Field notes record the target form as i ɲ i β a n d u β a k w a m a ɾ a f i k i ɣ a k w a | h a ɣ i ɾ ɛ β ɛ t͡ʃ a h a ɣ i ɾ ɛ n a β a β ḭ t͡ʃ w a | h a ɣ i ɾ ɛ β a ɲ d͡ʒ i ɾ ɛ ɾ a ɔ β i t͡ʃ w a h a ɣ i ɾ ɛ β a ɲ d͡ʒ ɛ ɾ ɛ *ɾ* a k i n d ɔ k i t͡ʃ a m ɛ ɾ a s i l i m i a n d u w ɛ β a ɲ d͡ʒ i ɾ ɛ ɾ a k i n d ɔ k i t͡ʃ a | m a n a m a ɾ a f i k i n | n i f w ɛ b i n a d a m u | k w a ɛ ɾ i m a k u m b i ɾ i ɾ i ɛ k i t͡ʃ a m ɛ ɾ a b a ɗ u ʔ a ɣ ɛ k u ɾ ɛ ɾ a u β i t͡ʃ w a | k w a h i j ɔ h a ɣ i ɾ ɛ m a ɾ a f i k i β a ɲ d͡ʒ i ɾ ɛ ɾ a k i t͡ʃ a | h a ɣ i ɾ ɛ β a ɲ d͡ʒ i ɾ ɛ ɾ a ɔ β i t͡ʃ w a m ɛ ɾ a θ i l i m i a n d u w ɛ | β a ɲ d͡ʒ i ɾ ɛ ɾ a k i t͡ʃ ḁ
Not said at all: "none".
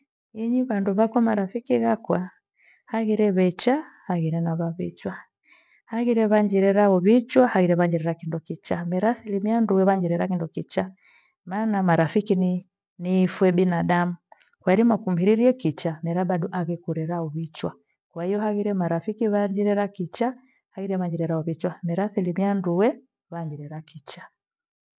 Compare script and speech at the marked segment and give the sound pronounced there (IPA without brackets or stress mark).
ɾ